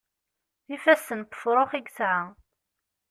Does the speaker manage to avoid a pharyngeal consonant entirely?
no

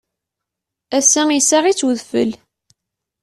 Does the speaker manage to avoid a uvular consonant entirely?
no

